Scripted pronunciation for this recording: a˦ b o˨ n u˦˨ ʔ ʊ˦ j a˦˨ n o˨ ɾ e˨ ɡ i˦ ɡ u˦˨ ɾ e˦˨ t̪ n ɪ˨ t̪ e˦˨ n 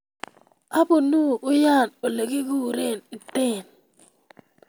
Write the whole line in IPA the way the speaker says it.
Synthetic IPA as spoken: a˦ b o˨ n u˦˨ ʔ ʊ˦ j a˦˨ n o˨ l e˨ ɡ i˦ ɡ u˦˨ ɾ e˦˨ n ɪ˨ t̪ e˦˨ n